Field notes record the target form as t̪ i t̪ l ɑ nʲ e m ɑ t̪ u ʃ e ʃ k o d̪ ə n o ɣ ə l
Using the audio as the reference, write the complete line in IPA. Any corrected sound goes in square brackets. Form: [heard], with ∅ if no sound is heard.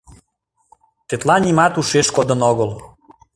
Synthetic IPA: t̪ [e] t̪ l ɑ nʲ [i] m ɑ t̪ u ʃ e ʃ k o d̪ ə n o ɣ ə l